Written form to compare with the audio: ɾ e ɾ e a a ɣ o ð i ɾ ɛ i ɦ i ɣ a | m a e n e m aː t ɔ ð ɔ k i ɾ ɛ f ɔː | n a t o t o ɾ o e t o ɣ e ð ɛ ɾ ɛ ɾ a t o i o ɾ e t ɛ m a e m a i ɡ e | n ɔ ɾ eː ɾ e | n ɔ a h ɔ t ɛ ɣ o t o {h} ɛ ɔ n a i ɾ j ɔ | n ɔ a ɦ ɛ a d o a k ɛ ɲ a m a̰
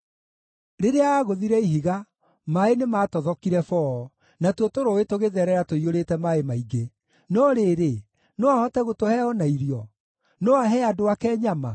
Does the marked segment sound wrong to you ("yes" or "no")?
no